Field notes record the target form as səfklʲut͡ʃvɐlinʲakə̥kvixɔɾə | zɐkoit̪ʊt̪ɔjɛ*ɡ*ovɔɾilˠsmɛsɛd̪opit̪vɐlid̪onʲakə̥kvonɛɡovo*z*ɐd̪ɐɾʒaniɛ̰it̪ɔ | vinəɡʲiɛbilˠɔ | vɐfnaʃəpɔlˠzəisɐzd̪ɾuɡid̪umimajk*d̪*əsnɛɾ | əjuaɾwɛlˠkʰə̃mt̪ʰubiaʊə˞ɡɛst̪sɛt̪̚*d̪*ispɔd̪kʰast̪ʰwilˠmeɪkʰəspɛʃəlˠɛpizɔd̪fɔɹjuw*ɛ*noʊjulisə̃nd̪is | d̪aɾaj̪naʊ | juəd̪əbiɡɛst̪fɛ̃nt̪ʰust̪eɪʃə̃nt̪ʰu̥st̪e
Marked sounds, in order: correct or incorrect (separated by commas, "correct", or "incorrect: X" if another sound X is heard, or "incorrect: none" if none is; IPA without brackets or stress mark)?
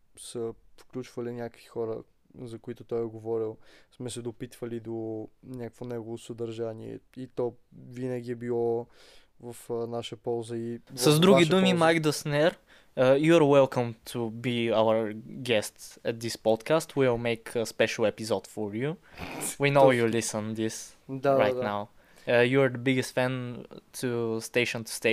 correct, incorrect: s, correct, correct, incorrect: i